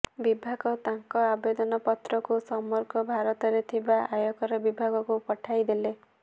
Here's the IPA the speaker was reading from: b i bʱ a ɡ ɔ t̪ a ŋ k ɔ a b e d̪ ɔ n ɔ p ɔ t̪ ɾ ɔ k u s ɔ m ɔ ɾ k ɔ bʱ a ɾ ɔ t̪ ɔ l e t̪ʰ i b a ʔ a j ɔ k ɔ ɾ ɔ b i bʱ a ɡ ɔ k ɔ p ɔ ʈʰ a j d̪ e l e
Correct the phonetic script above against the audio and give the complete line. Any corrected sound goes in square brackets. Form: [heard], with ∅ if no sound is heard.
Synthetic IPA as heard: b i bʱ a ɡ ɔ t̪ a ŋ k ɔ a b e d̪ ɔ n ɔ p ɔ t̪ ɾ ɔ k u s ɔ m ɔ ɾ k ɔ bʱ a ɾ ɔ t̪ ɔ [ɾ] e t̪ʰ i b a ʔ a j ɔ k ɔ ɾ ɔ b i bʱ a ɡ ɔ k [u] p ɔ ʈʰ a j d̪ e l e